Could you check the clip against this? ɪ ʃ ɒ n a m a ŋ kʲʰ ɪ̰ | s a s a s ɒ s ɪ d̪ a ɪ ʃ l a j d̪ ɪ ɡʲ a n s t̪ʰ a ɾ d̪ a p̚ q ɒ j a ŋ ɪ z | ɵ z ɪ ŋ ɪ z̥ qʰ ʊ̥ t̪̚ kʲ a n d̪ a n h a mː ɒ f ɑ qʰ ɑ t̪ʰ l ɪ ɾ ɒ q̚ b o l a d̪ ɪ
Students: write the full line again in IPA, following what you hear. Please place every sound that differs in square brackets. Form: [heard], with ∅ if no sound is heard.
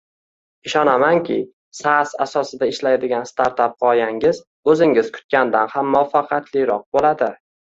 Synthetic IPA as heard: ɪ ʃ ɒ n a m a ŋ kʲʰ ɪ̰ | s a s a s ɒ s ɪ d̪ a ɪ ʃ l a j d̪ ɪ ɡʲ a n s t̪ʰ a ɾ [t̪] a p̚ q ɒ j a ŋ ɪ z | ɵ z ɪ ŋ ɪ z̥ [kʰ] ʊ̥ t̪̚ kʲ a n d̪ a n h a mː ɒ f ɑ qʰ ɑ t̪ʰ l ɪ ɾ ɒ q̚ b o l a d̪ ɪ